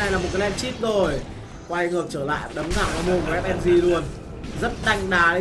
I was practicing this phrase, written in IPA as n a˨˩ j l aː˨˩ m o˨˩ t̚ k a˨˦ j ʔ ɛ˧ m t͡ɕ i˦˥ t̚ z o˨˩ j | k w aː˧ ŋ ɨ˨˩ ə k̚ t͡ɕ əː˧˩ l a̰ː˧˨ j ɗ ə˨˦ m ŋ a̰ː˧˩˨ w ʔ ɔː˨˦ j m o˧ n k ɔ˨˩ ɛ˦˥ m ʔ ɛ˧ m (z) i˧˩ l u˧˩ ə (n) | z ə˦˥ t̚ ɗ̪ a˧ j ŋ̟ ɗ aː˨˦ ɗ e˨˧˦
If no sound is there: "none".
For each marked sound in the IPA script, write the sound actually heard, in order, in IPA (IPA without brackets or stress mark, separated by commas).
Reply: z, n